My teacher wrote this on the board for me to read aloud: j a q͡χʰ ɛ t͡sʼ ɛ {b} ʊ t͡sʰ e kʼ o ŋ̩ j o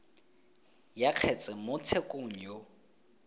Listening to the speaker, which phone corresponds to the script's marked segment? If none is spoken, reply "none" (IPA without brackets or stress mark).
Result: m